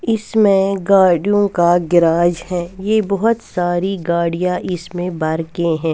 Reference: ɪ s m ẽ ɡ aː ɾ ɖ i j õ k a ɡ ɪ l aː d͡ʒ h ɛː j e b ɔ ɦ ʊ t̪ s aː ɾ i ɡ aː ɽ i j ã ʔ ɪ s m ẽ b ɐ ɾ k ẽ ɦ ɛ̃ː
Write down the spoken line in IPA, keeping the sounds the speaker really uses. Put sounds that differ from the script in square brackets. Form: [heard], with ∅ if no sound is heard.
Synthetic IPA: ɪ s m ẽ ɡ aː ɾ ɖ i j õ k a ɡ ɪ [ɾ] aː d͡ʒ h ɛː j e b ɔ ɦ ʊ t̪ s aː ɾ i ɡ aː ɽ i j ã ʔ ɪ s m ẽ b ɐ ɾ k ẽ ɦ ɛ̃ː

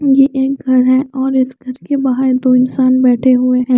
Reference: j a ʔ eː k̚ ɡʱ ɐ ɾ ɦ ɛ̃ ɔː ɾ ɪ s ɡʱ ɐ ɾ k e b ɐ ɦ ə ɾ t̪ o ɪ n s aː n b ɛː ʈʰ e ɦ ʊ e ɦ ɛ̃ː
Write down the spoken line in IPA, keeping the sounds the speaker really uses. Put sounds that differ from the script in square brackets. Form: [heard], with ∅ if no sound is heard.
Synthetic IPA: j [e] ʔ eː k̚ ɡʱ ɐ ɾ ɦ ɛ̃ ɔː ɾ ɪ s ɡʱ ɐ ɾ k e b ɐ ɦ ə ɾ [d̪] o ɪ n s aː n b ɛː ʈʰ e ɦ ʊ e ɦ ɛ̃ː

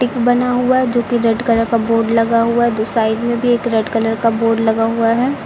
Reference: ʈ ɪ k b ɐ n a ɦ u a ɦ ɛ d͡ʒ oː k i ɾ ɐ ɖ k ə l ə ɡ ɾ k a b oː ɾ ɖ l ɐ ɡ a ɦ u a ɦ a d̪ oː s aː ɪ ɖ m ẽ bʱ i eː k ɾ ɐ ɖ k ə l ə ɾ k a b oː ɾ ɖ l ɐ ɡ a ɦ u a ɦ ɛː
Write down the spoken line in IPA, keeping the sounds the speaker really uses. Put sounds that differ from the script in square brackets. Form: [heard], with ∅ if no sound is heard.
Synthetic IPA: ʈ ɪ k b ɐ n a ɦ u a ɦ ɛ d͡ʒ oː k i ɾ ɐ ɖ k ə l ə [∅] ɾ k a b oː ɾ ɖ l ɐ ɡ a ɦ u a ɦ [ɛ] d̪ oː s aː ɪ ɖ m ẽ bʱ i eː k ɾ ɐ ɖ k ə l ə ɾ k a b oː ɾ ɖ l ɐ ɡ a ɦ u a ɦ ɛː

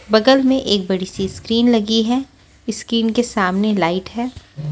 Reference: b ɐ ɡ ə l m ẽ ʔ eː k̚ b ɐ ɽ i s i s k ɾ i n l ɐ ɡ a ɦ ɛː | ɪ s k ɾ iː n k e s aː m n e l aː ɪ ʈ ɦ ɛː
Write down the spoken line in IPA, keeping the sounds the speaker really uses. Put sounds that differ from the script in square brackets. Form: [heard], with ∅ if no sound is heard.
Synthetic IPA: b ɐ ɡ ə l m ẽ ʔ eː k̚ b ɐ ɽ i s i s k ɾ [iː] n l ɐ ɡ [i] ɦ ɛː | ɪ s k ɾ iː n k e s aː m n e l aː ɪ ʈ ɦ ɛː

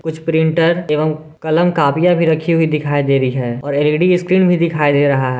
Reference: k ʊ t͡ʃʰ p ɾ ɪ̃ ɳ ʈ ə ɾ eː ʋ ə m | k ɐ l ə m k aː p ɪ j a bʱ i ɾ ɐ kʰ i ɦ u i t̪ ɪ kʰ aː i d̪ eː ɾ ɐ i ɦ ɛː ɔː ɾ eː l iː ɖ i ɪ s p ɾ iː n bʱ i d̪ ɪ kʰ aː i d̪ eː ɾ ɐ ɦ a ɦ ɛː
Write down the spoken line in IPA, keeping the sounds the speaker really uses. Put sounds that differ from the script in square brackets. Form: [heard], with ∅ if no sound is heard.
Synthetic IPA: k ʊ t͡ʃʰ p ɾ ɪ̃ ɳ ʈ ə ɾ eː ʋ ə m | k ɐ l ə m k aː p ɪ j a bʱ i ɾ ɐ kʰ i ɦ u i [d̪] ɪ kʰ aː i d̪ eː ɾ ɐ i ɦ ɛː ɔː ɾ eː l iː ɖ i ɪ s [k] ɾ iː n bʱ i d̪ ɪ kʰ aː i d̪ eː ɾ ɐ ɦ a ɦ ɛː

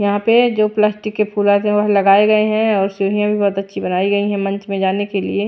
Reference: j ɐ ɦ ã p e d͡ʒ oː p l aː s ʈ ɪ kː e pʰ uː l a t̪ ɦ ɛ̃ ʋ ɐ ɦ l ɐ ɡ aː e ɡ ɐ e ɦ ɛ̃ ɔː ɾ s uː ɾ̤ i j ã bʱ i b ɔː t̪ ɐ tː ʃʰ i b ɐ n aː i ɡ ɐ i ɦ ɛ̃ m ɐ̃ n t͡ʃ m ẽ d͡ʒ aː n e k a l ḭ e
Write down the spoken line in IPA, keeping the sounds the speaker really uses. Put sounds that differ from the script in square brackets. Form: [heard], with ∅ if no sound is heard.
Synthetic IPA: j ɐ ɦ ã p e d͡ʒ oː p l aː s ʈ ɪ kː e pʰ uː l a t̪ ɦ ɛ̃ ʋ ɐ ɦ l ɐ ɡ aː e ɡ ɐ e ɦ ɛ̃ ɔː ɾ s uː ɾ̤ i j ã bʱ i b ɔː t̪ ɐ tː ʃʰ i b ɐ n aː i ɡ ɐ i ɦ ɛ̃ m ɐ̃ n t͡ʃ m ẽ d͡ʒ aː n e k [e] l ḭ e

